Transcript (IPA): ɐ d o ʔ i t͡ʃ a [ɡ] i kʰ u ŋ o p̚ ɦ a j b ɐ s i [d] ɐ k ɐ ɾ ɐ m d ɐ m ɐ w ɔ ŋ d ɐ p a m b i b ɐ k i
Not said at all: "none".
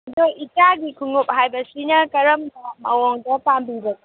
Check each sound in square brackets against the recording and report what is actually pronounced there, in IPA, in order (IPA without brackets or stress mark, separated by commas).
ɡ, n